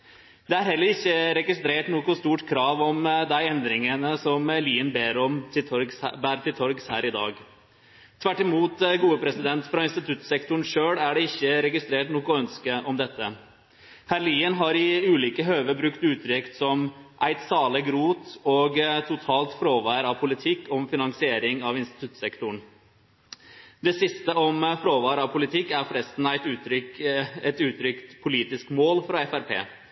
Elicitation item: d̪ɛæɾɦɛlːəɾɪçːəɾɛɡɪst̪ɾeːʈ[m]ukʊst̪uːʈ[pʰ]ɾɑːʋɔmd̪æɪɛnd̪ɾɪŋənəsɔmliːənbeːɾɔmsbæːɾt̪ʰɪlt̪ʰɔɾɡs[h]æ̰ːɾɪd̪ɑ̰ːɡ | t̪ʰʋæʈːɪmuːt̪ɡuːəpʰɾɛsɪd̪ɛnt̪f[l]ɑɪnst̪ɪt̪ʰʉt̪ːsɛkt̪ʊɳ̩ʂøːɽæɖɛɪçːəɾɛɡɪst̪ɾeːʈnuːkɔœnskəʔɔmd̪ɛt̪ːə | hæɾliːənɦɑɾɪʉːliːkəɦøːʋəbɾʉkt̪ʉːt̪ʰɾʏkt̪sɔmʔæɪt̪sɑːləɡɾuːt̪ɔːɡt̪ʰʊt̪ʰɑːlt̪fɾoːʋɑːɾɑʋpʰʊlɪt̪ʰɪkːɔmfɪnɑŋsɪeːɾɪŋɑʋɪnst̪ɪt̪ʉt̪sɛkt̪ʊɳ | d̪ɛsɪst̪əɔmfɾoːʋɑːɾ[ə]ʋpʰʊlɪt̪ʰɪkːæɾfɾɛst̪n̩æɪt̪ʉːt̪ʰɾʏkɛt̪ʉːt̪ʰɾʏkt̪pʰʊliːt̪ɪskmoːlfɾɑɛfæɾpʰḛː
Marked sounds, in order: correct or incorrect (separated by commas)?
incorrect, incorrect, correct, incorrect, incorrect